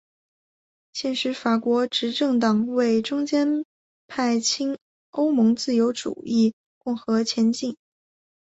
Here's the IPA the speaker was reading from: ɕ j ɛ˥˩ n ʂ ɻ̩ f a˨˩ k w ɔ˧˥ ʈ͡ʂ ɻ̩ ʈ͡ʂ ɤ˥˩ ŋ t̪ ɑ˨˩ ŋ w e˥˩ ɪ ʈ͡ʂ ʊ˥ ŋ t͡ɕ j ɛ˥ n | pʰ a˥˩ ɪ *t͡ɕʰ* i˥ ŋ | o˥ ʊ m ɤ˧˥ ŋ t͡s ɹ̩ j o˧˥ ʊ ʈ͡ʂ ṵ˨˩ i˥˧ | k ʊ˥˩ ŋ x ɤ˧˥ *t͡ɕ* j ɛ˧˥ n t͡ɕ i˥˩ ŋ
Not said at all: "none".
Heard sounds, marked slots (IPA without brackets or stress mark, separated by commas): t͡ɕʰ, t͡ɕʰ